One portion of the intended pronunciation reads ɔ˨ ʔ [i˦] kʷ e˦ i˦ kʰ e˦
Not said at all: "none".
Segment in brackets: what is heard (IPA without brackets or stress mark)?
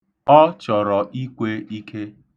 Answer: i˦